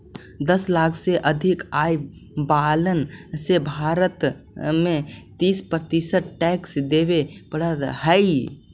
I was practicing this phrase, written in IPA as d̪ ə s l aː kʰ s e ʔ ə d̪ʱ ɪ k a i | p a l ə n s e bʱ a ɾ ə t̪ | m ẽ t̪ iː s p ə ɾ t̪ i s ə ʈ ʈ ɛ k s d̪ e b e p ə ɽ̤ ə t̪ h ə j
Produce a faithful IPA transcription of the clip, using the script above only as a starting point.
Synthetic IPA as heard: d̪ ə s l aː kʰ s e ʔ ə d̪ʱ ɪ k a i | b a l ə n s e bʱ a ɾ ə t̪ | m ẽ t̪ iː s p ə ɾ t̪ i s ə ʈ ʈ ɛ k s d̪ e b e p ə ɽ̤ ə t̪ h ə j